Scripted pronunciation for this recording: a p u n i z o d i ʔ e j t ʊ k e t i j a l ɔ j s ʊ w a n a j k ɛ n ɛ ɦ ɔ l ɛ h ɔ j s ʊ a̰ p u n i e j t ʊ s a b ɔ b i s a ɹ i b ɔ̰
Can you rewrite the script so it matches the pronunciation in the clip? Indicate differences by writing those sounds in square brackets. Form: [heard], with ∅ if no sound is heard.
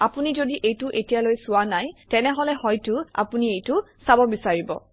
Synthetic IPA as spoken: a p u n i z o d i ʔ e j t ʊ [ʔ] e t i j a l [o] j s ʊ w a n a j [t] ɛ n ɛ ɦ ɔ l ɛ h ɔ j [t] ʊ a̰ p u n i e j t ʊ s a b ɔ b i s a ɹ i b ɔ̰